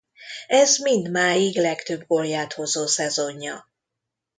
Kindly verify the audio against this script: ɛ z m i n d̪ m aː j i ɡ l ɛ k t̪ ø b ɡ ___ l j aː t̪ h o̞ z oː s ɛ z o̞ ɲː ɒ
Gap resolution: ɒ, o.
o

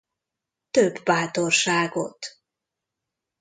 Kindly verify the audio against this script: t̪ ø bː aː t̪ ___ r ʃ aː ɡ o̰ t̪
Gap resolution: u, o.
o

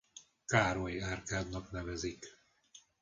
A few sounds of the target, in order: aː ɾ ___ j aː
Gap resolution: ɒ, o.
o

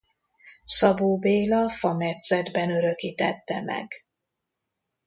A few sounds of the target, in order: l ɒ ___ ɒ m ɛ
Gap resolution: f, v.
f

